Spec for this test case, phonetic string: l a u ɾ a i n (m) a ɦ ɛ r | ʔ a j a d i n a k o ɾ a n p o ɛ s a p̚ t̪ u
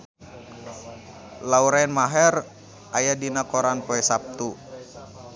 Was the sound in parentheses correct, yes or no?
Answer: yes